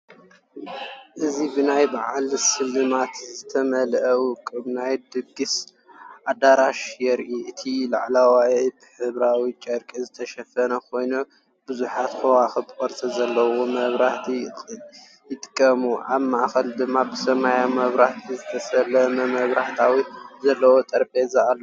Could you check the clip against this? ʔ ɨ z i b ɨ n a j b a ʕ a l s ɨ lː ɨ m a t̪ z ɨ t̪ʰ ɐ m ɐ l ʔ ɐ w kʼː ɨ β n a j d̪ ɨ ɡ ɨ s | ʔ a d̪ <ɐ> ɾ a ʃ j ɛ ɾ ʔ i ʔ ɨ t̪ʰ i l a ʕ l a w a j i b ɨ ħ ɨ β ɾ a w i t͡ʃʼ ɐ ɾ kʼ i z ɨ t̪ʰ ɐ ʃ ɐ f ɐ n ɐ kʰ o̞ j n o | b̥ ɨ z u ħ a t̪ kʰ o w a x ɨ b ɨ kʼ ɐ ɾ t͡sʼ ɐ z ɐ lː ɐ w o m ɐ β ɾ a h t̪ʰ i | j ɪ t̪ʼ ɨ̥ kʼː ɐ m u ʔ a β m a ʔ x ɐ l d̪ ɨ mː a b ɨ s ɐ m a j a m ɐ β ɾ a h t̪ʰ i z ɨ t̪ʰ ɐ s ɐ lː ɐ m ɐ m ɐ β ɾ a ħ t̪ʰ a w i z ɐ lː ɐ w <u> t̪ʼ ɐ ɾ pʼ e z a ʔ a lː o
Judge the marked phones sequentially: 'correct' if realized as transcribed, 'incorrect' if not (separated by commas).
incorrect, incorrect